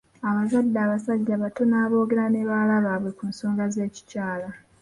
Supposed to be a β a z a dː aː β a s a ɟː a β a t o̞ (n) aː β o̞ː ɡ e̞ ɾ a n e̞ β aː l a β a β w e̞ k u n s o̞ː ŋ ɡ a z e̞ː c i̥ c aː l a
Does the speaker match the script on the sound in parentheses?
yes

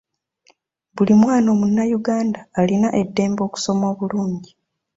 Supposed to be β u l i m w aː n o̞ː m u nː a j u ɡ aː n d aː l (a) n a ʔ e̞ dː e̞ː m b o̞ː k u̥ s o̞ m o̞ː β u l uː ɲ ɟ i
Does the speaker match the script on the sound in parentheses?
no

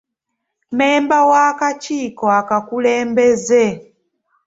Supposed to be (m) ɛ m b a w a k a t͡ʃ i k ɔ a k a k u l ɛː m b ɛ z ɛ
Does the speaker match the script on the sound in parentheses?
yes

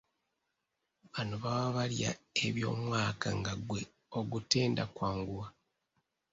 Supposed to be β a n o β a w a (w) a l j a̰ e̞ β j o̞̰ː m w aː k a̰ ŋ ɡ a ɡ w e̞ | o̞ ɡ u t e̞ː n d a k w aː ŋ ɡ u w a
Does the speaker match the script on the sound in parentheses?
no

